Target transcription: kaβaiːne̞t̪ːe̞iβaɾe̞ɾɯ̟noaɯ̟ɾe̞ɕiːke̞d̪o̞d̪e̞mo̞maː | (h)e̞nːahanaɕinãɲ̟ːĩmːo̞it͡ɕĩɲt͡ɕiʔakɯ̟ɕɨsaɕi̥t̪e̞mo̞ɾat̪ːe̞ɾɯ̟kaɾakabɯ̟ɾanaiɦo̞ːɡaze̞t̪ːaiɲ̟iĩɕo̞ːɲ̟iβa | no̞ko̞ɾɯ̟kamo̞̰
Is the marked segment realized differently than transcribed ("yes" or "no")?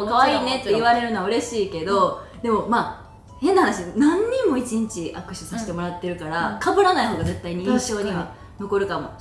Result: no